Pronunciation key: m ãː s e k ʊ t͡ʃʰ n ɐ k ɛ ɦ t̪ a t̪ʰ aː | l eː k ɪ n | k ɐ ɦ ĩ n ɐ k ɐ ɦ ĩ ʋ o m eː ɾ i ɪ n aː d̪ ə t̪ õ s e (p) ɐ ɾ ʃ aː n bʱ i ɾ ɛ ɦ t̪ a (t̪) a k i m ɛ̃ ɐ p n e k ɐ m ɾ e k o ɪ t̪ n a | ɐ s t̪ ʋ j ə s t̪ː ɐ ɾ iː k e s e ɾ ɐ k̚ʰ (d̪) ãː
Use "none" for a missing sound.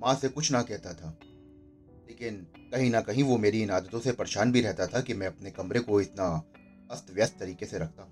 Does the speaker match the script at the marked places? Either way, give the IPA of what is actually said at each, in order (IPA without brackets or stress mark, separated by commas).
p, t̪ʰ, t̪